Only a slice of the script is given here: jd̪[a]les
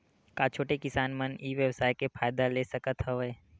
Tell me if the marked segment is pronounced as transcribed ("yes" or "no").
yes